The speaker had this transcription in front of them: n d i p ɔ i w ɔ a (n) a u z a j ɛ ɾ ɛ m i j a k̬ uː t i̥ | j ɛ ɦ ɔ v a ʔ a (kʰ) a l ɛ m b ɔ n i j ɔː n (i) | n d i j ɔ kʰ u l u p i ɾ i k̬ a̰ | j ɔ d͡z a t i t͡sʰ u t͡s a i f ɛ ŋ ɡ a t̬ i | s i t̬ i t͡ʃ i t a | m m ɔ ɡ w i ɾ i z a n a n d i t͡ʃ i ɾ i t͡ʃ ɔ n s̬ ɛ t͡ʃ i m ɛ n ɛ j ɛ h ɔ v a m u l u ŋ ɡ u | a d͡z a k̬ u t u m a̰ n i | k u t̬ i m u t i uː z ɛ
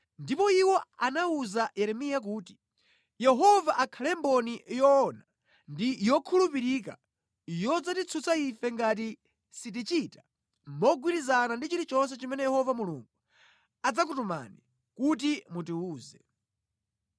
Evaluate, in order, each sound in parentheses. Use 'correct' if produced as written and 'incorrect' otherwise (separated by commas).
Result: correct, correct, incorrect